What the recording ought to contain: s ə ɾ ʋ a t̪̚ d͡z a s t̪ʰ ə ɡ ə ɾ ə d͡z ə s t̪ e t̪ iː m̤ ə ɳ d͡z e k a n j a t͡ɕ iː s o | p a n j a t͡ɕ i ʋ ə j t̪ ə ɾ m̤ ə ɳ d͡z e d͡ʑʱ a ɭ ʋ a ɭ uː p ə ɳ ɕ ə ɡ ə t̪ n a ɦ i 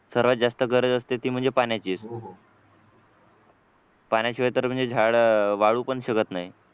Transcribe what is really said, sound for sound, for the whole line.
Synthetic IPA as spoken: s ə ɾ ʋ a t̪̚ d͡z a s t̪ ə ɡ ə ɾ ə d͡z ə s t̪ e t̪ iː m̤ ə ɳ d͡z e p a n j a t͡ɕ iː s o | p a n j a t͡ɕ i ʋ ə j t̪ ə ɾ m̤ ə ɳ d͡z e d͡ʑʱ a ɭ ʋ a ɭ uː p ə ɳ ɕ ə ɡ ə t̪ n a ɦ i